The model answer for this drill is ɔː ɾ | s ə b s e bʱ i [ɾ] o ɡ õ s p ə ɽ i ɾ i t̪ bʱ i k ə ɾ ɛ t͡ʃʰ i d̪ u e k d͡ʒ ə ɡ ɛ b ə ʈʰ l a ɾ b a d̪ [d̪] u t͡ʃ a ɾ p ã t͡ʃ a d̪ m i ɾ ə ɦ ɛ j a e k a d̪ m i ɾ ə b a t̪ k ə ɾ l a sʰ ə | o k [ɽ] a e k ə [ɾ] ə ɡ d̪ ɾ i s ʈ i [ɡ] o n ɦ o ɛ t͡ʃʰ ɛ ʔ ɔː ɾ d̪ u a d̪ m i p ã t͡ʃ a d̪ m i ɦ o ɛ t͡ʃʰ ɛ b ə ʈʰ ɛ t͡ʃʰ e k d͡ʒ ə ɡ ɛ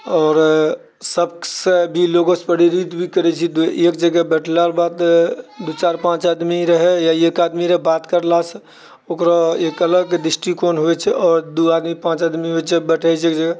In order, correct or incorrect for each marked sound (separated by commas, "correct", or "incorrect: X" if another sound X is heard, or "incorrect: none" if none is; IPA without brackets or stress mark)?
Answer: incorrect: l, correct, incorrect: ɾ, incorrect: l, incorrect: k